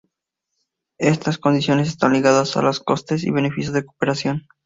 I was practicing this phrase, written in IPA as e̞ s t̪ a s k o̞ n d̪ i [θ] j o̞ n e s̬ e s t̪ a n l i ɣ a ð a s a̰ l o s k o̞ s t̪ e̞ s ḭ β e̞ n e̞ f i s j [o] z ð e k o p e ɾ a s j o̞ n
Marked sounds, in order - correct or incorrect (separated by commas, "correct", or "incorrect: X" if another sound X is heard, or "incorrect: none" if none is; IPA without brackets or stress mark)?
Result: incorrect: s, correct